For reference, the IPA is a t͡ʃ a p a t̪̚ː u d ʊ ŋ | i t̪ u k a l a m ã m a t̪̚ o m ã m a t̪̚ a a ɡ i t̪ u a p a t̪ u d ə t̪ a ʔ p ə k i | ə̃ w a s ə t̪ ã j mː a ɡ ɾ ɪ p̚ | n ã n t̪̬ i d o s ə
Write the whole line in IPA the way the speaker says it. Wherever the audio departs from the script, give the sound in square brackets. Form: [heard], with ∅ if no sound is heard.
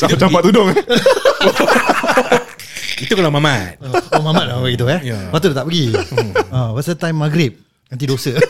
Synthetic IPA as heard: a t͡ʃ a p a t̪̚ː u d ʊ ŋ | i t̪ u k a l a m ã m a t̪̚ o m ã m a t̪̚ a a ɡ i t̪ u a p a t̪ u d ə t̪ a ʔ p ə [ɡ] i | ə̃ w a s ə t̪ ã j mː a ɡ ɾ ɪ p̚ | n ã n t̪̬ i d o s ə